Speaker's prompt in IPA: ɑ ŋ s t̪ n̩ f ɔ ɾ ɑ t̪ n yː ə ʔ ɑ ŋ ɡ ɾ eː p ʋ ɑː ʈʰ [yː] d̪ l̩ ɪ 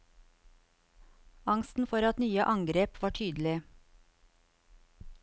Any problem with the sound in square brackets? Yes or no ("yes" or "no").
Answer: no